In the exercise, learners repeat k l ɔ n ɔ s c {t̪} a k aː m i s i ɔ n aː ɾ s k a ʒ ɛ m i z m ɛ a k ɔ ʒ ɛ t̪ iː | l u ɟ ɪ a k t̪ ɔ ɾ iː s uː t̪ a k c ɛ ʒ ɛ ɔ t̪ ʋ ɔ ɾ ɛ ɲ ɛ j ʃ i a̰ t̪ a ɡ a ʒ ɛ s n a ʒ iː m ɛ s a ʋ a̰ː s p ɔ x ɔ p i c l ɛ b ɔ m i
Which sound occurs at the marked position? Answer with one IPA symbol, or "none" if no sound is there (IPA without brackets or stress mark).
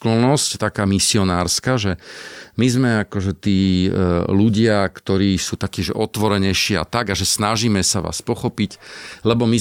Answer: t̪